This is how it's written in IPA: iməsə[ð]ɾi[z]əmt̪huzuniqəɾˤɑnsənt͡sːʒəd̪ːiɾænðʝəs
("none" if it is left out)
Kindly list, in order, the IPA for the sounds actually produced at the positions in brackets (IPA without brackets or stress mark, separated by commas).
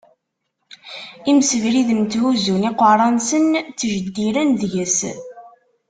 v, ð